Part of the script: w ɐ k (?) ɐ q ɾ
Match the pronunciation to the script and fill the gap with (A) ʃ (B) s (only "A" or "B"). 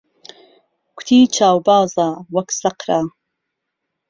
B